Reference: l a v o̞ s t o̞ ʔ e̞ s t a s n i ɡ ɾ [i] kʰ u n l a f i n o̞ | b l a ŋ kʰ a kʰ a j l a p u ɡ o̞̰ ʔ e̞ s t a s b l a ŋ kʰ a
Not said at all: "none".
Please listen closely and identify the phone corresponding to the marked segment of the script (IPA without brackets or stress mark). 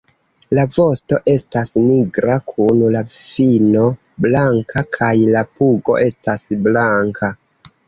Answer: a